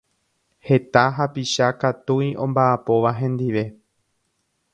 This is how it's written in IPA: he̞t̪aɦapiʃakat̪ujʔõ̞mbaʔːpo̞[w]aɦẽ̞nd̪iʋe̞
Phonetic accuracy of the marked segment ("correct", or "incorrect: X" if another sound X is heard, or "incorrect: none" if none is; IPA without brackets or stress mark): incorrect: ʋ